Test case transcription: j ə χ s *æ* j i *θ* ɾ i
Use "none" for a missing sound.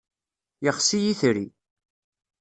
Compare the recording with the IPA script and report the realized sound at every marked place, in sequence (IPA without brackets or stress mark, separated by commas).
i, θ